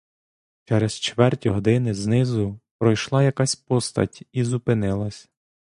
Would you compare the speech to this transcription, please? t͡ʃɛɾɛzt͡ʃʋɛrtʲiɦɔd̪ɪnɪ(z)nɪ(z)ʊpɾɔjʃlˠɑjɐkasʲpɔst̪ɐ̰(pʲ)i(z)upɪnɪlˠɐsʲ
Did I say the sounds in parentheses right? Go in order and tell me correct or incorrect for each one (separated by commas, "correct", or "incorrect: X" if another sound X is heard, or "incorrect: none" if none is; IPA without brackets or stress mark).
correct, correct, incorrect: tʲ, correct